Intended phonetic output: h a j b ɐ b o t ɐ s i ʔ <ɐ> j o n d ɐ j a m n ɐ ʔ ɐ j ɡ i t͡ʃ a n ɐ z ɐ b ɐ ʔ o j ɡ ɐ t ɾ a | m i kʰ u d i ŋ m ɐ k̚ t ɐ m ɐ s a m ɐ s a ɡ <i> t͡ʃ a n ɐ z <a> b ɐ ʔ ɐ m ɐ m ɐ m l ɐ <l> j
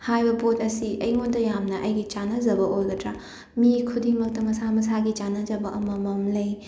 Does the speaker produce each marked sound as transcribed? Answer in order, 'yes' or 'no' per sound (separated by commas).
yes, yes, no, no